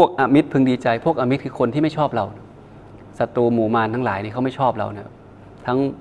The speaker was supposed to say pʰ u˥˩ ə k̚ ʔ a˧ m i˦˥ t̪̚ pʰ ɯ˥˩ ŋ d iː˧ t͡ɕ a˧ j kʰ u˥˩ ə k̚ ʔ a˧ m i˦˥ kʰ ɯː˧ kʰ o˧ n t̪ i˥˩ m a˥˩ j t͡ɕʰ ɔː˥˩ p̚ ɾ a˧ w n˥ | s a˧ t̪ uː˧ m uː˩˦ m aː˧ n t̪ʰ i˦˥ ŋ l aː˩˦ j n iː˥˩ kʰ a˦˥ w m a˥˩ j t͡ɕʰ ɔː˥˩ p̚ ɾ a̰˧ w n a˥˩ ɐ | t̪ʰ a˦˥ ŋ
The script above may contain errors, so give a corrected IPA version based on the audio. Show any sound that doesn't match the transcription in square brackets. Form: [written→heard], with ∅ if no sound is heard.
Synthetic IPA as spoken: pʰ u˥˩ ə k̚ ʔ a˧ m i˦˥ t̪̚ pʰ [ɯ˥˩→ɯ˧] ŋ d iː˧ t͡ɕ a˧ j [kʰ→pʰ] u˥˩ ə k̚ ʔ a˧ m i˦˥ kʰ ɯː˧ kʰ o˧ n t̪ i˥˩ m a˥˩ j t͡ɕʰ ɔː˥˩ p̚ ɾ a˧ w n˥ | s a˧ t̪ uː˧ m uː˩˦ m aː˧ n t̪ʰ [i˦˥→a˦˥] ŋ l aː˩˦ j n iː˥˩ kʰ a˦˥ w m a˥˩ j t͡ɕʰ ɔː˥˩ p̚ ɾ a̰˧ w n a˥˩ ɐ | t̪ʰ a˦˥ ŋ